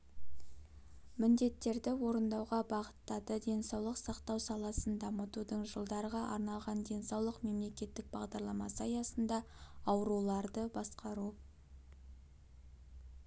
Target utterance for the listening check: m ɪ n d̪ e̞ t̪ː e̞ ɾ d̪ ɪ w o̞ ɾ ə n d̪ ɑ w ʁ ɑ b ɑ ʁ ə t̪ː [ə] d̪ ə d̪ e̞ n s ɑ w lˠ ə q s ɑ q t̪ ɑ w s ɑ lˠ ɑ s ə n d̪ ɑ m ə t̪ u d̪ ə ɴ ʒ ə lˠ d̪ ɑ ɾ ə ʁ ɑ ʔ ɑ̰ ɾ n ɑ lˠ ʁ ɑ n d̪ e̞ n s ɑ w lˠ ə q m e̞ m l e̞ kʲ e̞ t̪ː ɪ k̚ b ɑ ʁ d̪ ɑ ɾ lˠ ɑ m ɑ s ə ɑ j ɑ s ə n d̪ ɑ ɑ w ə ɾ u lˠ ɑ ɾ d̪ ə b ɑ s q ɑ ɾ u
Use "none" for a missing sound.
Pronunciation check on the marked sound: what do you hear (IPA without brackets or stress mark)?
ɑ